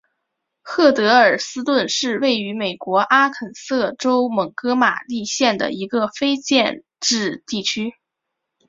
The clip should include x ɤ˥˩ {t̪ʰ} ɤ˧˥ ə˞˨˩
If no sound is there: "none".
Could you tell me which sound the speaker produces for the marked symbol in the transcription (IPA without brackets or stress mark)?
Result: t̪